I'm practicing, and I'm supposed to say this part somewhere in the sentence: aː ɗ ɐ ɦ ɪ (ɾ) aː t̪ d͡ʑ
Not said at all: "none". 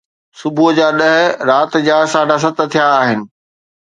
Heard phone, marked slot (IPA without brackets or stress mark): ɾ